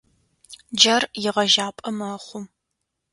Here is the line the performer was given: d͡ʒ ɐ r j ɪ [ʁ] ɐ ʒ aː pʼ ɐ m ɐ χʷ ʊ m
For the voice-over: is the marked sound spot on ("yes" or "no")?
yes